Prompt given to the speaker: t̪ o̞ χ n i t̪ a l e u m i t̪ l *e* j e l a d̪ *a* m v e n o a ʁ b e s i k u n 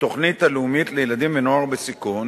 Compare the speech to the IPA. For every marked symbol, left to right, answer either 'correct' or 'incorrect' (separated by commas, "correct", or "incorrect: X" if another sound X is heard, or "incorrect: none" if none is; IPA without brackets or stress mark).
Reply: correct, incorrect: i